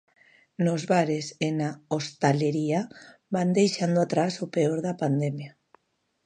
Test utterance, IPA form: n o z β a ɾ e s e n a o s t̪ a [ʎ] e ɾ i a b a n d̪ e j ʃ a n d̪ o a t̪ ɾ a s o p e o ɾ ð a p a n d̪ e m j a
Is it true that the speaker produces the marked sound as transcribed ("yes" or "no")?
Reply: no